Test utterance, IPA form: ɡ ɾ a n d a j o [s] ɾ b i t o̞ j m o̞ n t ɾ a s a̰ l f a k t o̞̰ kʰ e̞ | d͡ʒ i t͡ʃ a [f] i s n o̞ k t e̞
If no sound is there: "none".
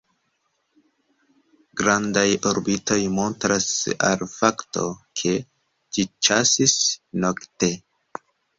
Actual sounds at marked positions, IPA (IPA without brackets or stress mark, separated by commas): none, s